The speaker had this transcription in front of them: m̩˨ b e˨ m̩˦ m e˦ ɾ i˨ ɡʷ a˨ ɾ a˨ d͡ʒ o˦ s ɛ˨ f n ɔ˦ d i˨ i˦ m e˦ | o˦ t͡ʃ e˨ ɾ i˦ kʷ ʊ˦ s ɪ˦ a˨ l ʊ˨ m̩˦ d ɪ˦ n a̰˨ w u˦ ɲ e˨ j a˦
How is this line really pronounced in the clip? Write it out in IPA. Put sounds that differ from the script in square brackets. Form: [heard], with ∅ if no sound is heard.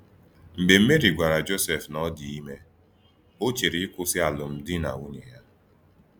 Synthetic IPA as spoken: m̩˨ b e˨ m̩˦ m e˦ ɾ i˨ ɡʷ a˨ ɾ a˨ d͡ʒ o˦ s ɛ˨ f n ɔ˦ d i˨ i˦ m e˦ | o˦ t͡ʃ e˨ ɾ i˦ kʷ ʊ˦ s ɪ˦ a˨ l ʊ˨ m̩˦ d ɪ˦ n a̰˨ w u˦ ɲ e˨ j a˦